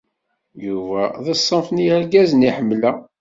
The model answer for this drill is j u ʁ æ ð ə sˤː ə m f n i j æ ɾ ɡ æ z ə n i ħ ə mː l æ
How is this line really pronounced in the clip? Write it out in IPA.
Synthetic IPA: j u v æ ð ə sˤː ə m f n i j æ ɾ ɡ æ z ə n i ħ ə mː l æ